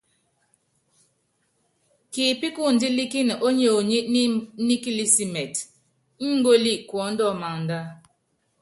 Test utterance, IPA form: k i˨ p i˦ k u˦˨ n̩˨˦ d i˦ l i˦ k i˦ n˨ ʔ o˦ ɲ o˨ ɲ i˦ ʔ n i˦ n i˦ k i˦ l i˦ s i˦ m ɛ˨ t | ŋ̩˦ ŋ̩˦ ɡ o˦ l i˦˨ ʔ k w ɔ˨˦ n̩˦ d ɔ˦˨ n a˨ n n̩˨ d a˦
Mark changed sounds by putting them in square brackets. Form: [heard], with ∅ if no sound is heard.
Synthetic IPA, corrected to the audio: k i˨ p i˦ k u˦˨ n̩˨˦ d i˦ l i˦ k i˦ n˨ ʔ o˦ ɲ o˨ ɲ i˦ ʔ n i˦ n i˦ k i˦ l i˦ s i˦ m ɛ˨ t | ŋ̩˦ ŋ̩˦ ɡ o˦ l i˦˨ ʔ k w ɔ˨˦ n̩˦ d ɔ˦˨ [m] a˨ [ŋ] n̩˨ d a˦